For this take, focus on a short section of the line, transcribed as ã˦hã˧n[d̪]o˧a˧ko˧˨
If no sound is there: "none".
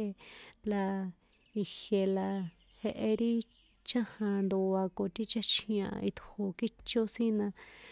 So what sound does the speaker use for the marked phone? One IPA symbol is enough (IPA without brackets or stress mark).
d̪